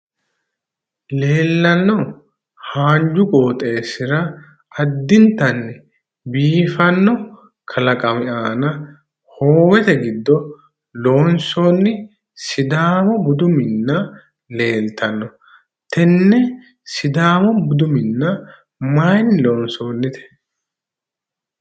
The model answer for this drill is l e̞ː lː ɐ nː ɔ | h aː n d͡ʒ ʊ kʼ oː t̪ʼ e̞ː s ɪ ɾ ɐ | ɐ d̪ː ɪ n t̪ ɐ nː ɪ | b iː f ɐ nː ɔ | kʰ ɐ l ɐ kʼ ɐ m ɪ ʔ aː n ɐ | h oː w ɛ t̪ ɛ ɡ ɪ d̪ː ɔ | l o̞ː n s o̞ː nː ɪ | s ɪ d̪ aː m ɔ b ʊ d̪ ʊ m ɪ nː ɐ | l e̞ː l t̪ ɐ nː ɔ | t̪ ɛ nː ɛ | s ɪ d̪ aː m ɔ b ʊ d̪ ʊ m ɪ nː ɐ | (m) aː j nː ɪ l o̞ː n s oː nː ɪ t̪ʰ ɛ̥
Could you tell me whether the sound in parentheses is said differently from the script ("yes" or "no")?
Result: no